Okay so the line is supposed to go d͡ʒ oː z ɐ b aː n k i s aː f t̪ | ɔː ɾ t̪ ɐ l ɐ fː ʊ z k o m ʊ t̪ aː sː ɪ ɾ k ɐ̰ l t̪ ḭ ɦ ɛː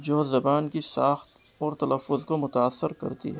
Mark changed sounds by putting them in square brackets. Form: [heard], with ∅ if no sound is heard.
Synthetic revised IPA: d͡ʒ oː z ɐ b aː n k i s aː [x] t̪ | ɔː ɾ t̪ ɐ l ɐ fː ʊ z k o m ʊ t̪ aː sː ɪ ɾ k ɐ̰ [ɾ] t̪ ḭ ɦ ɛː